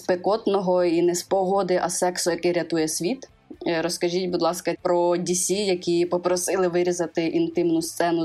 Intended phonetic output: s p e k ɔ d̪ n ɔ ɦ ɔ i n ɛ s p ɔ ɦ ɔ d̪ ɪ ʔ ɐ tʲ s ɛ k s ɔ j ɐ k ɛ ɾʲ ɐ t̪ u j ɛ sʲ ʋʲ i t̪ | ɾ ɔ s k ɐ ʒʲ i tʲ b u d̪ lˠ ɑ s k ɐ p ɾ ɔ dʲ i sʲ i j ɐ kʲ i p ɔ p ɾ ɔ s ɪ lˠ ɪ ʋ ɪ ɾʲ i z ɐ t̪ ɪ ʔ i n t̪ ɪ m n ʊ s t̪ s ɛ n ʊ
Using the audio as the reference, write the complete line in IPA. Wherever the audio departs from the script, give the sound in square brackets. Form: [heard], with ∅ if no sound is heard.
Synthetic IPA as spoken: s p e k ɔ [t̪] n ɔ ɦ ɔ i n ɛ s p ɔ ɦ ɔ d̪ ɪ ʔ ɐ [∅] s ɛ k s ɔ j ɐ k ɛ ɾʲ ɐ t̪ u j ɛ sʲ ʋʲ i t̪ | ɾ ɔ s k ɐ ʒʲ i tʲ b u d̪ lˠ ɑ s k ɐ p ɾ ɔ dʲ i sʲ i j ɐ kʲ i p ɔ p ɾ ɔ s ɪ lˠ ɪ ʋ ɪ ɾʲ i z ɐ t̪ ɪ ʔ i n t̪ ɪ m n ʊ s t̪ s ɛ n ʊ